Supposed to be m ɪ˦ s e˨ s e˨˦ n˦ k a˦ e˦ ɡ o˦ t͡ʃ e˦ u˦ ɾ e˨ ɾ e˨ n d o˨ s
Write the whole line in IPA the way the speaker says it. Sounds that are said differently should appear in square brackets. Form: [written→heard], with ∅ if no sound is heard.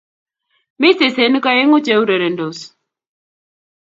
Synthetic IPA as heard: m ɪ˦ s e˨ s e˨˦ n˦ k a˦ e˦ [ɡ→ŋ] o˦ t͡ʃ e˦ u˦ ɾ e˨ ɾ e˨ n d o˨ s